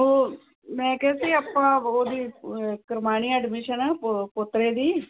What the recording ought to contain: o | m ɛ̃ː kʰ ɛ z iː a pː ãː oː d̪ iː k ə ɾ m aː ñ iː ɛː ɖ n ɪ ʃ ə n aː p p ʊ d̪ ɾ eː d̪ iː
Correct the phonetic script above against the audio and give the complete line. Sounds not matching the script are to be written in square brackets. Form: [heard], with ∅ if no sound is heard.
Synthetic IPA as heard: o | m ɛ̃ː [k] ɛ [s] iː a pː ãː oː d̪ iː k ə ɾ m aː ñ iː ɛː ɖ [m] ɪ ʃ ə n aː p p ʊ [t̪] ɾ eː d̪ iː